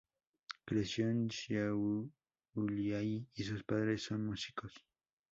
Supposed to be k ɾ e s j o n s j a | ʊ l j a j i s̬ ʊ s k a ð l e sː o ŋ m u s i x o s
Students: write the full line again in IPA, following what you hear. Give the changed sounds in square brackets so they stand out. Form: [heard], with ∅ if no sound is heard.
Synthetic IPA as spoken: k ɾ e s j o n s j a | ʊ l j a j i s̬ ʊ s [p] a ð [ɾ] e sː o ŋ m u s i [k] o s